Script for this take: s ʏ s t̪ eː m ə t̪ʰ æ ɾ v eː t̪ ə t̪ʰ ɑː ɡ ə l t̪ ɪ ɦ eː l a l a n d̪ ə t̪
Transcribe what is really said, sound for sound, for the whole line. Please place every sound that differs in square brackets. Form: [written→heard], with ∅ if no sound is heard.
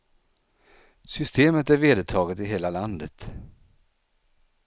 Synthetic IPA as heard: s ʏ s t̪ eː m ə [t̪ʰ→t̪] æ ɾ v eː [t̪→d̪] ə t̪ʰ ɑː ɡ ə [l→∅] t̪ ɪ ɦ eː l a l a n d̪ ə t̪